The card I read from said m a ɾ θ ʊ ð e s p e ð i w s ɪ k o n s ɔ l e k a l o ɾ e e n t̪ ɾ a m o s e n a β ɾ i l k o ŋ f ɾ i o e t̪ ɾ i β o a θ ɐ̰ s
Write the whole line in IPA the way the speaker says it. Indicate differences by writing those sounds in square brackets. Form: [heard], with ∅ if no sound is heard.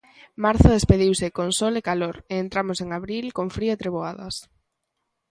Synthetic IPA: m a ɾ θ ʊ ð e s p e ð i w s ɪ k o n s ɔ l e k a l o ɾ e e n t̪ ɾ a m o s e [ŋ] a β ɾ i l k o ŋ f ɾ i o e t̪ ɾ [e] β o a [ð] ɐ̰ s